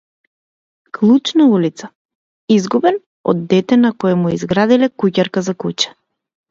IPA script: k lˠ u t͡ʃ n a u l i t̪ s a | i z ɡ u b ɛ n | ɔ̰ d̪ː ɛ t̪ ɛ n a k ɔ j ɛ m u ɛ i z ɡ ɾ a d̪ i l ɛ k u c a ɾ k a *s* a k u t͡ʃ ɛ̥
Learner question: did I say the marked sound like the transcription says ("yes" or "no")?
no